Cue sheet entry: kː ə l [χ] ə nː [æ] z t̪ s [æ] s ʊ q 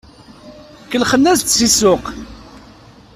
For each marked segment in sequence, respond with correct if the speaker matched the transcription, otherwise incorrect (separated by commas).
correct, correct, incorrect